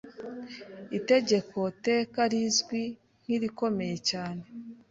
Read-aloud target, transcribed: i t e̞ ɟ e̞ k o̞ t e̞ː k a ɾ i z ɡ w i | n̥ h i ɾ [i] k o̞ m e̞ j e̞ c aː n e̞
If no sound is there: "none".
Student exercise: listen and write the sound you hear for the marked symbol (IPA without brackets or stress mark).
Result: i